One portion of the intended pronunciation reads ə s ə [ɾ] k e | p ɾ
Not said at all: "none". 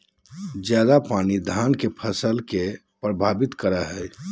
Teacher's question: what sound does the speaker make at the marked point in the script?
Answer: l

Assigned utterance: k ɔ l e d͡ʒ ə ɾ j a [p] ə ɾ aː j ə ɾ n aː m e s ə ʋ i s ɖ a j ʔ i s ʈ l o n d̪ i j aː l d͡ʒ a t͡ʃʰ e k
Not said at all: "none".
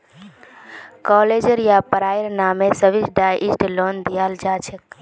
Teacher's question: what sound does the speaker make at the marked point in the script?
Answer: p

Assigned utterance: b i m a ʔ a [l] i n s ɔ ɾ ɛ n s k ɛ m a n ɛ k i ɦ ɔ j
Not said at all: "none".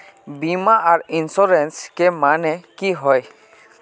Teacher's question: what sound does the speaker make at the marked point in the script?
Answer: ɾ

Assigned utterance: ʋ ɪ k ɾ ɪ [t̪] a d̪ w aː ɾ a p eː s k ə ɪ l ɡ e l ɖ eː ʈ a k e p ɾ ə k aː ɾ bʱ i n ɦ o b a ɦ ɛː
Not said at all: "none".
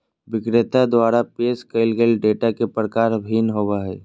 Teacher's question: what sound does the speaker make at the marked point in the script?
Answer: t̪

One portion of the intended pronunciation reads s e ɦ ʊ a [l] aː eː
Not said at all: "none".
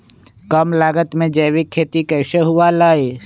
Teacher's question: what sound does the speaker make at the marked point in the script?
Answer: l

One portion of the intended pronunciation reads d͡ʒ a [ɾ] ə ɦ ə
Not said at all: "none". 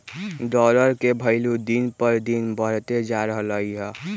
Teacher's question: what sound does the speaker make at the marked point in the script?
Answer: ɾ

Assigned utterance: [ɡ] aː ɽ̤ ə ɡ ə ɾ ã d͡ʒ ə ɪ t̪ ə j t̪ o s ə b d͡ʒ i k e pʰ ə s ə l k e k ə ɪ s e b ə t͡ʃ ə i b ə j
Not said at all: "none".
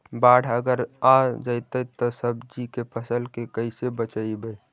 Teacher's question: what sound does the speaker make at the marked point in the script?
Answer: b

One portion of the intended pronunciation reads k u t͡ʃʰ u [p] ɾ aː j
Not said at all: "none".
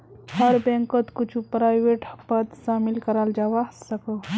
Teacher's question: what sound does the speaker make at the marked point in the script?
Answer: p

